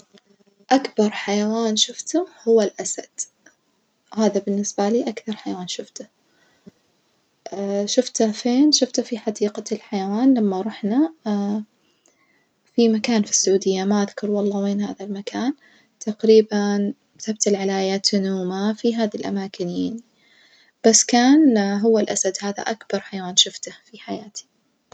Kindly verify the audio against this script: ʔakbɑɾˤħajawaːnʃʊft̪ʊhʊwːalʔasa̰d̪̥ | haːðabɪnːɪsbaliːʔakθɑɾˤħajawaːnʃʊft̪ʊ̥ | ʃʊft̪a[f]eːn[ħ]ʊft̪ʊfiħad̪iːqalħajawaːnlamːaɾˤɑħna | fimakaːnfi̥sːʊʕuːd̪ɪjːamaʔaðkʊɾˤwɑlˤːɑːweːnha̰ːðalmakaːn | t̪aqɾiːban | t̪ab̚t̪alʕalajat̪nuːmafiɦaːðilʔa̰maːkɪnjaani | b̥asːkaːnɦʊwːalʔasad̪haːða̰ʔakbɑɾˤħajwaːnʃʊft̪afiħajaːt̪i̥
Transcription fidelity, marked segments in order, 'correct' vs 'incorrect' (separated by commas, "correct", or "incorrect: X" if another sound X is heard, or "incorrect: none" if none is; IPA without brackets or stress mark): correct, incorrect: ʃ